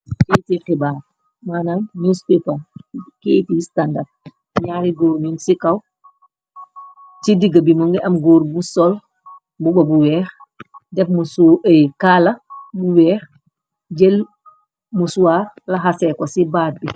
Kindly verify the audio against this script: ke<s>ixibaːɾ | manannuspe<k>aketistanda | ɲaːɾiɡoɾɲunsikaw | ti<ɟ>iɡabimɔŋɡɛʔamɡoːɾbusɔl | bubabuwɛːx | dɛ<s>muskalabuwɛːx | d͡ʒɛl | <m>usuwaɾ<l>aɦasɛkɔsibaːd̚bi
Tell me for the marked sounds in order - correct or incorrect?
incorrect: t, incorrect: p, incorrect: d, incorrect: f, correct, correct

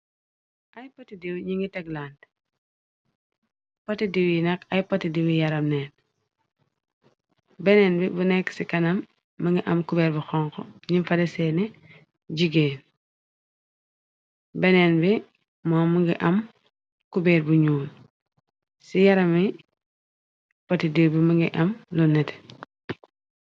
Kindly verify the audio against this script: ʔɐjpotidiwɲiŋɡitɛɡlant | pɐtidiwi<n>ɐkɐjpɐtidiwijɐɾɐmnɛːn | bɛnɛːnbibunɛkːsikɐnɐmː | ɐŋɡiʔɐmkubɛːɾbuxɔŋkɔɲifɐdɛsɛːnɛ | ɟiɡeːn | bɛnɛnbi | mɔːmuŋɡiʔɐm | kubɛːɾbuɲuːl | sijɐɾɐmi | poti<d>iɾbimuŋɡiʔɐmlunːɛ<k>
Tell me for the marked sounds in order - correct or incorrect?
correct, correct, incorrect: t

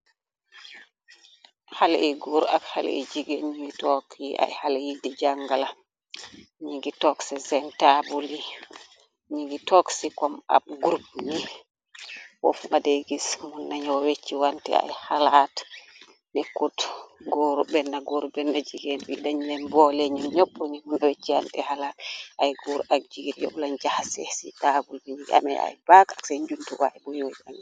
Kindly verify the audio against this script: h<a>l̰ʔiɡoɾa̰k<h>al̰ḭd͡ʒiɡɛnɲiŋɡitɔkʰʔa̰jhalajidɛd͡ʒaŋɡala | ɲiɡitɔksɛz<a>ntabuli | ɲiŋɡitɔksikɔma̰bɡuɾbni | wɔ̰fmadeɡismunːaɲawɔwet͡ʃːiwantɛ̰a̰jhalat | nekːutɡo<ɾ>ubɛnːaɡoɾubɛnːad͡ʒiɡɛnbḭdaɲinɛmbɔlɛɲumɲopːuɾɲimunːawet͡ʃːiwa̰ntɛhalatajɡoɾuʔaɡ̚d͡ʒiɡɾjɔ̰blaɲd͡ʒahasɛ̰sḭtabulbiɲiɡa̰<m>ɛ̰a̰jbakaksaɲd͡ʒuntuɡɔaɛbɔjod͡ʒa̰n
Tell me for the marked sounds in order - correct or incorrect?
correct, correct, incorrect: ɛ, correct, correct

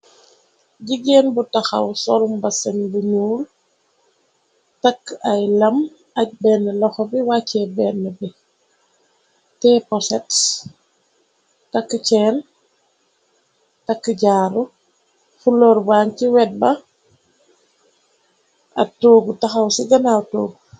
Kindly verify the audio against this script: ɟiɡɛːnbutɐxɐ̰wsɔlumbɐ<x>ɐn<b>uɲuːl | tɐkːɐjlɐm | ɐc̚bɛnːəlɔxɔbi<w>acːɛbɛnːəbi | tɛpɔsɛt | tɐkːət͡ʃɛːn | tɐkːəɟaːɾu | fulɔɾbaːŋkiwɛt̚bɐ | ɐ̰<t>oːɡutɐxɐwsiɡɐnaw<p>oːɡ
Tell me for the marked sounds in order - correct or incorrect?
incorrect: s, correct, correct, correct, incorrect: t

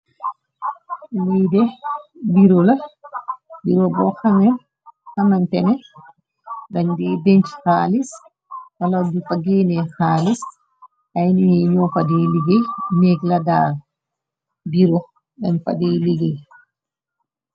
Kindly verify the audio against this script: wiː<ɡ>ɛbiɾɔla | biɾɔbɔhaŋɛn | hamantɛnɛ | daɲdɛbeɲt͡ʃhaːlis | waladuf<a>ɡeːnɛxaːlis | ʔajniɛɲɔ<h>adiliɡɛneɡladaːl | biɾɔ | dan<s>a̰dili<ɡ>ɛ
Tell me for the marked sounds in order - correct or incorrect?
incorrect: d, correct, incorrect: f, incorrect: f, correct

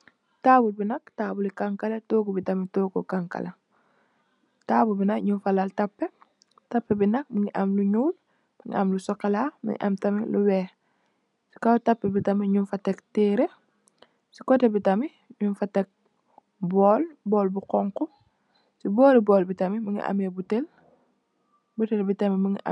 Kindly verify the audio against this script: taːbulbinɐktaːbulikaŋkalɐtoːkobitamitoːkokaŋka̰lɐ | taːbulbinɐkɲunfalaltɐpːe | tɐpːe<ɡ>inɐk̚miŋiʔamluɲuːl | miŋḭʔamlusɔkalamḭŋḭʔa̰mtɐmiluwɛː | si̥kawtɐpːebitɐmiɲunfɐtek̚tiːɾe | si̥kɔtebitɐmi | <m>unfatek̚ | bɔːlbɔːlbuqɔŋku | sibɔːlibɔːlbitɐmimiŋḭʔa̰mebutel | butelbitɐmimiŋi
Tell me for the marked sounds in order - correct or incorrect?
incorrect: b, incorrect: ɲ

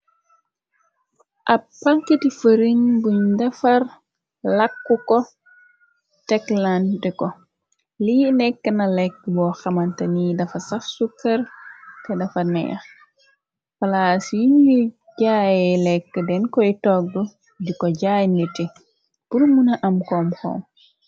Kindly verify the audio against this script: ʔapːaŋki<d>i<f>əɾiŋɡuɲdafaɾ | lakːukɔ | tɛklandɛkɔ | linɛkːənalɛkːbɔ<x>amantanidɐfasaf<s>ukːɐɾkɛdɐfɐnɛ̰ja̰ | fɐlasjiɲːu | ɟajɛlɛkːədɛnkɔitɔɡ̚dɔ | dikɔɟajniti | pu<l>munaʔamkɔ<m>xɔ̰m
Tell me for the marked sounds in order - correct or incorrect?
incorrect: t, correct, correct, correct, incorrect: ɾ, correct

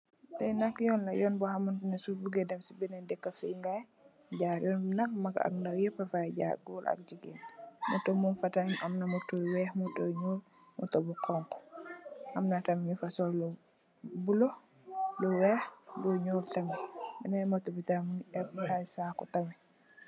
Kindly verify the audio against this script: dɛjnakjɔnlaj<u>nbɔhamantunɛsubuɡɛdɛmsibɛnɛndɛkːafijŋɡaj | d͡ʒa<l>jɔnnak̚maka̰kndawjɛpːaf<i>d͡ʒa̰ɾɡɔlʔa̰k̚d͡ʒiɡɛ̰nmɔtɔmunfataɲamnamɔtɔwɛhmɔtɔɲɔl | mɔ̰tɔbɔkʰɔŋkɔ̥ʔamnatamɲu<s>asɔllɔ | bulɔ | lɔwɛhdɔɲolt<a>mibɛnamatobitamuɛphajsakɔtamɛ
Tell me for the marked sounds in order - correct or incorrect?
incorrect: ɔ, incorrect: ɾ, incorrect: a, incorrect: f, correct

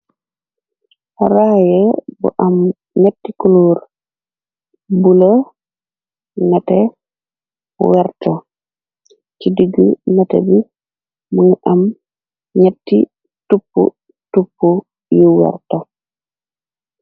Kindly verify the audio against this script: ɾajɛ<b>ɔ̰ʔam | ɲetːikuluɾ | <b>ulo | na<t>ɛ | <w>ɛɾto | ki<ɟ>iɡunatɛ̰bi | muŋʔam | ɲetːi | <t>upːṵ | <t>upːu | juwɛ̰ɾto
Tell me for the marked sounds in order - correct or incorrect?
correct, correct, correct, correct, incorrect: d, correct, correct

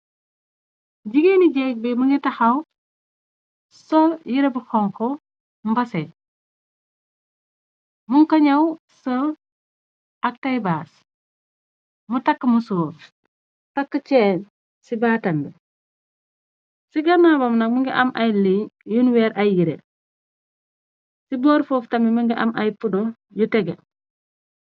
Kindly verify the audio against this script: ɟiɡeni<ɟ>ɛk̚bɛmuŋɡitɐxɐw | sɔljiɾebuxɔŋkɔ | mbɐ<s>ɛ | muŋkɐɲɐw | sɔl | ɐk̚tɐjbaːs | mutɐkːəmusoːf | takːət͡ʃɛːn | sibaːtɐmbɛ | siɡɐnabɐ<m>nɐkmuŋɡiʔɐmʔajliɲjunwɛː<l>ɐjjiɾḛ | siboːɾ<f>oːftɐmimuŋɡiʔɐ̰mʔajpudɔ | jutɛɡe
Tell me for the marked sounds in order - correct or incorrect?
correct, correct, correct, incorrect: ɾ, correct

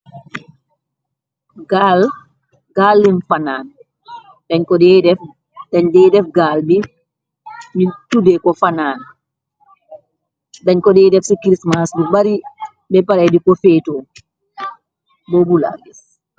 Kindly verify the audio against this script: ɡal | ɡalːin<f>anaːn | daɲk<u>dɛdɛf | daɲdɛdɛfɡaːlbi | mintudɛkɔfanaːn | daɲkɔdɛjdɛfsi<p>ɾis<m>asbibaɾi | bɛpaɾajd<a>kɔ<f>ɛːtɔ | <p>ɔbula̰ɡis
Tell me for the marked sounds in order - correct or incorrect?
correct, incorrect: ɔ, incorrect: k, correct, incorrect: i, correct, incorrect: b

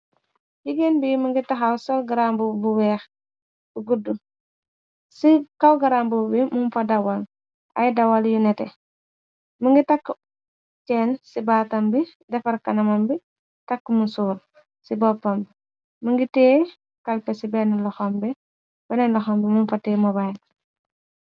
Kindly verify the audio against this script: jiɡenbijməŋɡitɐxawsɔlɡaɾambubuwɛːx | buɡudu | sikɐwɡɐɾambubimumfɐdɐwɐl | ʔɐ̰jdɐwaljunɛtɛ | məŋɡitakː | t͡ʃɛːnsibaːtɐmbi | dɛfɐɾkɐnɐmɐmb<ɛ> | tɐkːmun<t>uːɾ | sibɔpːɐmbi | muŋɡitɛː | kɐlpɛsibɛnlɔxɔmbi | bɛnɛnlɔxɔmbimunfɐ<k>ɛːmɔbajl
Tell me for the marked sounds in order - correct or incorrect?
incorrect: i, incorrect: s, incorrect: t

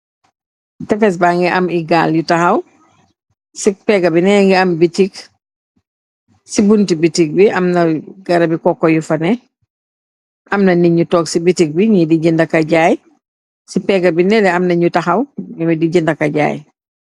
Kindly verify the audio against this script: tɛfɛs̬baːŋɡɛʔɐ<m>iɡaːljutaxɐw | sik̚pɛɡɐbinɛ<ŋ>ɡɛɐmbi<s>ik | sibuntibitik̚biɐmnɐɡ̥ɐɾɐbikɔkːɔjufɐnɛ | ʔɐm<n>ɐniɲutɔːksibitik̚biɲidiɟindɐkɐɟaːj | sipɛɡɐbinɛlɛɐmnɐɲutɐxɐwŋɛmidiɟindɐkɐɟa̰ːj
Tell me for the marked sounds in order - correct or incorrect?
correct, correct, incorrect: t, correct

